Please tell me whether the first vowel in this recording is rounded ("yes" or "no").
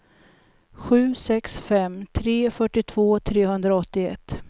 yes